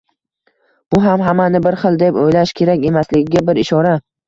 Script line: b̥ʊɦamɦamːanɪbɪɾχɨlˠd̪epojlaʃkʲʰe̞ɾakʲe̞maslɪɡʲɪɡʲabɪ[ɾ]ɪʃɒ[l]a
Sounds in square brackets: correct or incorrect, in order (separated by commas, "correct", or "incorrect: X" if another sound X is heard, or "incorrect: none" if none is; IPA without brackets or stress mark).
correct, incorrect: ɾ